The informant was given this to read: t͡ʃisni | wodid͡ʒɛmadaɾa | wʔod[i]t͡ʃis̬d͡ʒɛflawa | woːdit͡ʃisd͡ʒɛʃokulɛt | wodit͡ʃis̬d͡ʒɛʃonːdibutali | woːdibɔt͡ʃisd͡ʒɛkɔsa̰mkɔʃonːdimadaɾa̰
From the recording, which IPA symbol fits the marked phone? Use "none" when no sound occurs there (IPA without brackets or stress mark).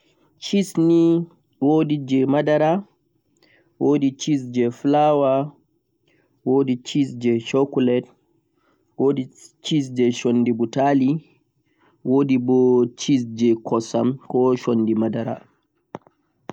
i